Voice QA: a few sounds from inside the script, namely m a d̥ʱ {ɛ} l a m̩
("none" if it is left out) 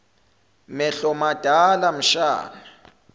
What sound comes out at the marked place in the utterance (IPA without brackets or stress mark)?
a